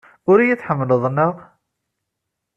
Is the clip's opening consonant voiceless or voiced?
voiced